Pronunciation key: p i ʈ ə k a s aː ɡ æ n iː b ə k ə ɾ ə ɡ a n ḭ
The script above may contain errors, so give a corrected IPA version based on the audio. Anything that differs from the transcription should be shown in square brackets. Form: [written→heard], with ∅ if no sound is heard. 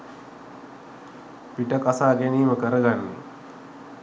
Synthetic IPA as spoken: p i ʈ ə k a s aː ɡ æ n iː [b→m] ə k ə ɾ ə ɡ a [n→nː] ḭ